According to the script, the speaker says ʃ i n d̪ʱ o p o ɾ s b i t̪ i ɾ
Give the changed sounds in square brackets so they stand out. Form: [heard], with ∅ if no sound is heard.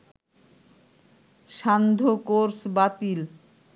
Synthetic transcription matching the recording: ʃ [a] n d̪ʱ o [k] o ɾ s b [a] t̪ i [l]